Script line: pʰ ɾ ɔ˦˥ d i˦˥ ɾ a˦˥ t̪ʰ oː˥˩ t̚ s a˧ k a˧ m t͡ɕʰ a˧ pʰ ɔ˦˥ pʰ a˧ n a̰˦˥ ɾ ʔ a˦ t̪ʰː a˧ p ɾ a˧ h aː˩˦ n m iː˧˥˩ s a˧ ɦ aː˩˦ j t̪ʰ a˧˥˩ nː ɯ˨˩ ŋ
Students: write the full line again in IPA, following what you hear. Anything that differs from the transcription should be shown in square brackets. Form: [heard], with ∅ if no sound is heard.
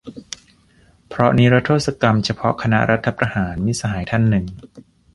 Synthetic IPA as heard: pʰ ɾ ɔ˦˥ [n] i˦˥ ɾ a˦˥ t̪ʰ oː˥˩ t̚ s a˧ k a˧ m t͡ɕʰ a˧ pʰ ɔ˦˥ [kʰ] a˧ n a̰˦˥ ɾ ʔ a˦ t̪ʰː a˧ p ɾ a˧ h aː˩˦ n m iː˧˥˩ s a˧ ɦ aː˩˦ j t̪ʰ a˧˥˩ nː ɯ˨˩ ŋ